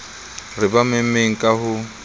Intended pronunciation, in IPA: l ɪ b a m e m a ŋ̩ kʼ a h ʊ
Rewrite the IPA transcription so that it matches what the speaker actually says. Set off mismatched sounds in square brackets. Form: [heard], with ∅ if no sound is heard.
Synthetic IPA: [r] ɪ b a m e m [e] ŋ̩ kʼ a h ʊ